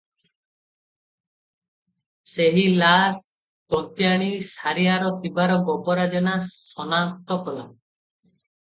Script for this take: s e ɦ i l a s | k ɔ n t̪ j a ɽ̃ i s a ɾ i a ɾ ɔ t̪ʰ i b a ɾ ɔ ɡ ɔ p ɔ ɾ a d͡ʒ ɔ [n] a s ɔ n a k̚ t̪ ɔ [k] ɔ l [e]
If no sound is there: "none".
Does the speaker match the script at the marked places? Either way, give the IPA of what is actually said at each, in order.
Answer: n, k, a

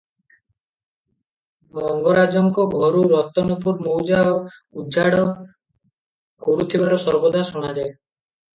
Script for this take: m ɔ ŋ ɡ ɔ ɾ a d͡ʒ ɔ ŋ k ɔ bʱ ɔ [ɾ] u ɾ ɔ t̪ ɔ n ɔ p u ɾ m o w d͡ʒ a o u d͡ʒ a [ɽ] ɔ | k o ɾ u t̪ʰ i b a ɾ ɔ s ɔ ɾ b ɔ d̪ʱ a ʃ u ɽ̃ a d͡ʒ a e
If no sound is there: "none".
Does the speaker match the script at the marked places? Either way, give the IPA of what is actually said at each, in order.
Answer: ɾ, ɽ

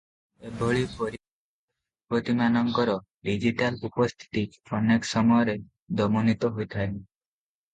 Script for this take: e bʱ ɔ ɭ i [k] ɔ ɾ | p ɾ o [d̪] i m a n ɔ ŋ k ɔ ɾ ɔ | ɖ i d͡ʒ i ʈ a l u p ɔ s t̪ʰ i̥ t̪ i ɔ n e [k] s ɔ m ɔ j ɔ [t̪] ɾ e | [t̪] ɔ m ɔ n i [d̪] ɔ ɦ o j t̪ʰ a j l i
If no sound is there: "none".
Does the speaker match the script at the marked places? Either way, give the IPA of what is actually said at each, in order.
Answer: p, t̪, k, none, d̪, t̪

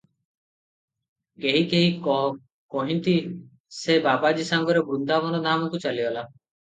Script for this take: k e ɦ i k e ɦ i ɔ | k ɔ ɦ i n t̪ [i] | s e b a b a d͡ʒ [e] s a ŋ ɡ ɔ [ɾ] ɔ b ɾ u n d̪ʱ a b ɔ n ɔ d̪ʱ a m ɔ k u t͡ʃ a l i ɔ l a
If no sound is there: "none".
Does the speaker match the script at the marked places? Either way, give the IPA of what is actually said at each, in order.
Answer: i, i, ɾ

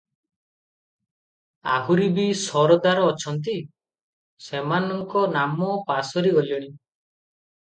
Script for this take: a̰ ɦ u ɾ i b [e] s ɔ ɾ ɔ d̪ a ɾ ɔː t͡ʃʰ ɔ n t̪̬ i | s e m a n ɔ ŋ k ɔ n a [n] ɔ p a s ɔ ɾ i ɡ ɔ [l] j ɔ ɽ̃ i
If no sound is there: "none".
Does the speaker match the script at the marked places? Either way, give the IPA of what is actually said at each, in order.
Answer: i, m, l

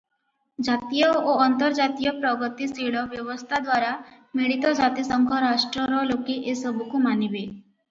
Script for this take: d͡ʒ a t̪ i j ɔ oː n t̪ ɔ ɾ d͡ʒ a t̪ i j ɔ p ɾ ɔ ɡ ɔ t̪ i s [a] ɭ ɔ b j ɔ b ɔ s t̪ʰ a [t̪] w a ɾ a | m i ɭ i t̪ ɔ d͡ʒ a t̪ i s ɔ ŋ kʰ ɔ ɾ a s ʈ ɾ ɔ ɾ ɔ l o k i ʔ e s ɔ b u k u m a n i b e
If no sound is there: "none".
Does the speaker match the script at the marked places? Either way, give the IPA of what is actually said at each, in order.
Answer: i, d̪

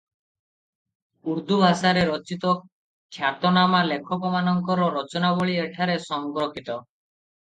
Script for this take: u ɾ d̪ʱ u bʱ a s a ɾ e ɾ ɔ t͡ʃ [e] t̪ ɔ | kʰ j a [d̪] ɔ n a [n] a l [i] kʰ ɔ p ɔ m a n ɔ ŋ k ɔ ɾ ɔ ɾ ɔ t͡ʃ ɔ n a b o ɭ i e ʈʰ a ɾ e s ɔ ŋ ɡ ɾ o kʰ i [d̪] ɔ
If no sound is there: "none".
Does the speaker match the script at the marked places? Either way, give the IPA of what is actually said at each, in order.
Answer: i, t̪, m, e, t̪

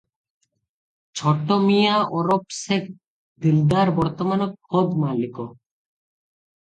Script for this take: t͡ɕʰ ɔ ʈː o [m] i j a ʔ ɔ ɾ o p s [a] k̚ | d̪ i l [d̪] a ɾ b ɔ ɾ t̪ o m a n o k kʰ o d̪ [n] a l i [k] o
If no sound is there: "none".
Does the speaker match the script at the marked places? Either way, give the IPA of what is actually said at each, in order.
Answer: m, e, d̪, m, k

